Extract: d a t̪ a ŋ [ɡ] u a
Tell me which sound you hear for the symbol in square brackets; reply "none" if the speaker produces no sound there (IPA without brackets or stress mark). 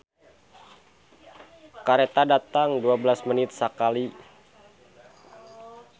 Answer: d